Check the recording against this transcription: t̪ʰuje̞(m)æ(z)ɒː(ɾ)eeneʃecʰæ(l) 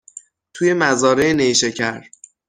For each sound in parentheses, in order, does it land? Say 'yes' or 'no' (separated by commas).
yes, yes, yes, no